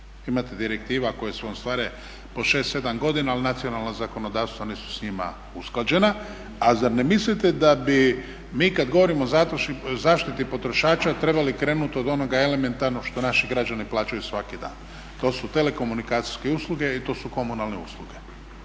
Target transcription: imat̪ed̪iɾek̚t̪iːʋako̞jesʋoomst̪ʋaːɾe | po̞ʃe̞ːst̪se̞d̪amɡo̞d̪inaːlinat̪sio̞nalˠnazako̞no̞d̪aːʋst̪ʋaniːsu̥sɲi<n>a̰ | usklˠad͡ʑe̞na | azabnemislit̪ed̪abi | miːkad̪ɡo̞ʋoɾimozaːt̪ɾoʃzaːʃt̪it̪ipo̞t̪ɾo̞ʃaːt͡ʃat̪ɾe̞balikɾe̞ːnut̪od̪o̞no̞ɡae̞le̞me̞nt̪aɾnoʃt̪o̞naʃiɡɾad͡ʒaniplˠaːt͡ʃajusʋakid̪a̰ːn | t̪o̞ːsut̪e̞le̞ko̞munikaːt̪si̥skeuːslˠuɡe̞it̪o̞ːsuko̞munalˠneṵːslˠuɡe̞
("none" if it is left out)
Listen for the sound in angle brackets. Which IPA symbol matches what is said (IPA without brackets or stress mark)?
m